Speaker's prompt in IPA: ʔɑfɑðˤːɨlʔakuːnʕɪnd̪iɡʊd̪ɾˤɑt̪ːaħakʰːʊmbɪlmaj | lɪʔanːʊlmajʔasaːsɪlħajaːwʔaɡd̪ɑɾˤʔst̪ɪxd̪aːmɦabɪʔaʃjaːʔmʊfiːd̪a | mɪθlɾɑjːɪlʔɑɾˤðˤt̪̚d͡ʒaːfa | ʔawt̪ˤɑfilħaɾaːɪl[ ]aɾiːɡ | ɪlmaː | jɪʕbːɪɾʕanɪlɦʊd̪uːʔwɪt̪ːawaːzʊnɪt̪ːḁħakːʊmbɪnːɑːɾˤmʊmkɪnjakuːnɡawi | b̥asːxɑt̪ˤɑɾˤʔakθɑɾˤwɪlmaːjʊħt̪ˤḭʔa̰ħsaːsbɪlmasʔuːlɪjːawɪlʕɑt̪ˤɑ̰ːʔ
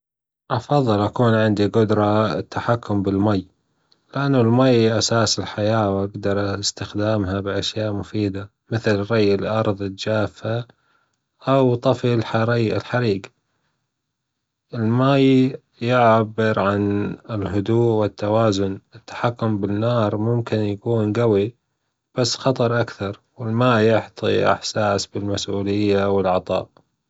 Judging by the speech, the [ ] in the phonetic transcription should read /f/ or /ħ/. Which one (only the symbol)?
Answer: ħ